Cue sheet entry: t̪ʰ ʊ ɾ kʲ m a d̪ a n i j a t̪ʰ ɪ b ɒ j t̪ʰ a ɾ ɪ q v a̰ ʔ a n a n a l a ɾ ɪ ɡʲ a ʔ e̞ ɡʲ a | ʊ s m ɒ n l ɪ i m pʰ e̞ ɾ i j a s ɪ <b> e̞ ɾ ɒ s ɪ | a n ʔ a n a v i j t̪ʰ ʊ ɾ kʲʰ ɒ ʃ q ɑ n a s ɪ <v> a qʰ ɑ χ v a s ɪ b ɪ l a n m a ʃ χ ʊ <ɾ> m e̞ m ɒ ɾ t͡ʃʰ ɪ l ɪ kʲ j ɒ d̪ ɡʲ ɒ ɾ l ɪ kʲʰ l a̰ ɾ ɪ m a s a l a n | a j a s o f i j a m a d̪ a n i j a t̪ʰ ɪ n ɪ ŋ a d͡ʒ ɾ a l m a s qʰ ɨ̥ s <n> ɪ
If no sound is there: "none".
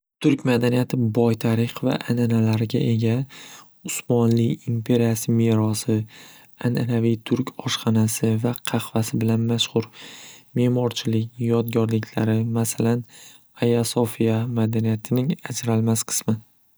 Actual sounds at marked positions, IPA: m, v, ɾ, m

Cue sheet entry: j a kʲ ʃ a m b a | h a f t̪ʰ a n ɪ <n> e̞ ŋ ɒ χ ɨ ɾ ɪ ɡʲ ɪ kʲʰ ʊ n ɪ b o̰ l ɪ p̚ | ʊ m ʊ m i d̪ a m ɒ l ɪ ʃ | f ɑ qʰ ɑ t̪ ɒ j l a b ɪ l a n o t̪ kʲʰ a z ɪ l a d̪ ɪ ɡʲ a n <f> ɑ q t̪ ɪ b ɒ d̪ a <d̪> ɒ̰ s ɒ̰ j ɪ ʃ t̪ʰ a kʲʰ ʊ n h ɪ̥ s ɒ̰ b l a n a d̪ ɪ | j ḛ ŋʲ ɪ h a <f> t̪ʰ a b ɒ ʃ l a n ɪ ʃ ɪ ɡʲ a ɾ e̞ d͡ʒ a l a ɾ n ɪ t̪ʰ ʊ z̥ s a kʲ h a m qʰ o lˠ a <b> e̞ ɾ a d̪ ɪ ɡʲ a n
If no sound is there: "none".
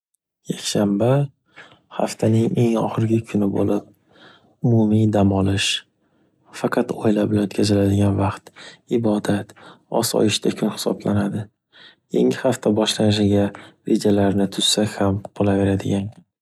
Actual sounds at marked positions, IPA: ŋ, v, t̪, f, v

